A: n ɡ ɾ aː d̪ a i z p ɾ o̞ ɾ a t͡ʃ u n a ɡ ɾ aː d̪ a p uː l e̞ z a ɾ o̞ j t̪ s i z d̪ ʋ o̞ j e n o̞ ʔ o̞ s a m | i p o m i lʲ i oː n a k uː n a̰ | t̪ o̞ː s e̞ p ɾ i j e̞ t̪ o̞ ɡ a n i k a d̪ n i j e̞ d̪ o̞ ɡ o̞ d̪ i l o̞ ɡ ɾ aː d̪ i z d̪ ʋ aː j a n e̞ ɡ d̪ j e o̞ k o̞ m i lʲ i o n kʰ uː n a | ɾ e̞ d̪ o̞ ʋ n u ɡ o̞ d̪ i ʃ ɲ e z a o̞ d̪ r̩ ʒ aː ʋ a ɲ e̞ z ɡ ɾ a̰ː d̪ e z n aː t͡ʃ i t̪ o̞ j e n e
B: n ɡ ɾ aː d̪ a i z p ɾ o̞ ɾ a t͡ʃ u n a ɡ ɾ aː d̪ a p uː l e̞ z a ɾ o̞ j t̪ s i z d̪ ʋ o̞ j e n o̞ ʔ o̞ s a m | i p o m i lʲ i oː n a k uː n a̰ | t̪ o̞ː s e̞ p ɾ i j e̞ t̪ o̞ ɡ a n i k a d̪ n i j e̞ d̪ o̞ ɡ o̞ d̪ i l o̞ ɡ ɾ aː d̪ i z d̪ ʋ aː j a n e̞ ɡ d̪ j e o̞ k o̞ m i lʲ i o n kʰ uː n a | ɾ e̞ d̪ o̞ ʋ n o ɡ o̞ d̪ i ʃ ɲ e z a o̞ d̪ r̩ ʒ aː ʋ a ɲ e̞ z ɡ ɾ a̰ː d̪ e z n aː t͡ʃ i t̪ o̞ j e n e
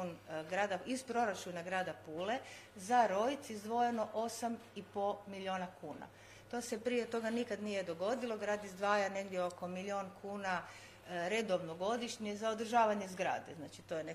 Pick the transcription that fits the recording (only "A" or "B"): B